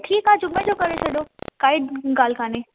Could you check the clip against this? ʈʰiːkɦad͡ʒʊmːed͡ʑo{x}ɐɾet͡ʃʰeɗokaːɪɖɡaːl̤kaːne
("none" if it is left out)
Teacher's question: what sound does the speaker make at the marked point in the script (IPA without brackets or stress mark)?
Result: k